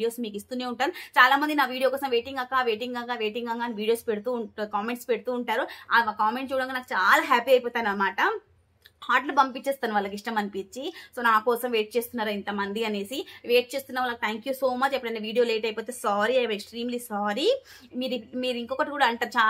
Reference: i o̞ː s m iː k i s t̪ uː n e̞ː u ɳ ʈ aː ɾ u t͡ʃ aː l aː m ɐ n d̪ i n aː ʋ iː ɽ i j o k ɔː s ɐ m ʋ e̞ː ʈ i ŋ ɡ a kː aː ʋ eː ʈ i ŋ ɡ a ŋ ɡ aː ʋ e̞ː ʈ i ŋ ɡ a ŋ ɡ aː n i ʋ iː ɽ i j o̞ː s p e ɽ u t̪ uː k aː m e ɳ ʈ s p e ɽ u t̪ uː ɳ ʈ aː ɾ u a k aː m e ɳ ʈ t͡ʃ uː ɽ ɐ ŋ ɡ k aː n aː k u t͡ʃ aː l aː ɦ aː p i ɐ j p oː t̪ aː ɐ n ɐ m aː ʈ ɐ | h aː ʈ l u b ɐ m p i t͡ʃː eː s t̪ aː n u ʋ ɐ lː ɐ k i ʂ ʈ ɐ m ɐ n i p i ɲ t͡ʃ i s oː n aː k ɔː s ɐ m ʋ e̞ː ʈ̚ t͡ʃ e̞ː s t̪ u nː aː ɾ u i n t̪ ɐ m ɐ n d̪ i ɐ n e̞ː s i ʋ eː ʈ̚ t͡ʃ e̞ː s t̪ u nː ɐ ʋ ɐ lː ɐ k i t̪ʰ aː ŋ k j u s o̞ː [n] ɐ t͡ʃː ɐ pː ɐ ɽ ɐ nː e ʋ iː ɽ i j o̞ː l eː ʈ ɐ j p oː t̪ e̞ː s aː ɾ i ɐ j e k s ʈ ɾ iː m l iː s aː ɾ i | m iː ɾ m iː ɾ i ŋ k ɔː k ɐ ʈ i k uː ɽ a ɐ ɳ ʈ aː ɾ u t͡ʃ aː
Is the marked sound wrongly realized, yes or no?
yes